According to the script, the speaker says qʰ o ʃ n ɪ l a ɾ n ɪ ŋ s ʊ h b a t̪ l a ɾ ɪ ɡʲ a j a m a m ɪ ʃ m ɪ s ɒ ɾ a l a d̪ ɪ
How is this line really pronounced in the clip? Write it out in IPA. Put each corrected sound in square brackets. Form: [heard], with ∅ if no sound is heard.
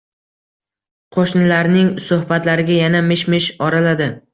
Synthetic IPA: qʰ o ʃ n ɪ l a ɾ n ɪ ŋ s ʊ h b a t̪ l a ɾ ɪ ɡʲ a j a [n] a m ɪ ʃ m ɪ [ʃ] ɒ ɾ a l a d̪ ɪ